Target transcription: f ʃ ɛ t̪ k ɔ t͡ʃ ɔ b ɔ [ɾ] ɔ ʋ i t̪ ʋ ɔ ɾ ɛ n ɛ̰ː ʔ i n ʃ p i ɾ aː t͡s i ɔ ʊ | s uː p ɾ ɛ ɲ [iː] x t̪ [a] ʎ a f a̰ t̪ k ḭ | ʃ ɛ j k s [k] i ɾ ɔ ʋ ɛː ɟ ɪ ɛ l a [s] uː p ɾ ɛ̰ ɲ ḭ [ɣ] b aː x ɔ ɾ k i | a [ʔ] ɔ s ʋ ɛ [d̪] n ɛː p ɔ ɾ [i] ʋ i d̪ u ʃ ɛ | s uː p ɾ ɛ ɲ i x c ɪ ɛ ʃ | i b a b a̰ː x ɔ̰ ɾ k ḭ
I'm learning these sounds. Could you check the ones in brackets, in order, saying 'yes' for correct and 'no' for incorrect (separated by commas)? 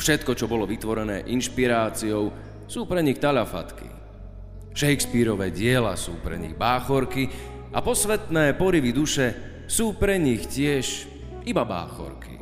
no, no, yes, no, yes, yes, no, no, yes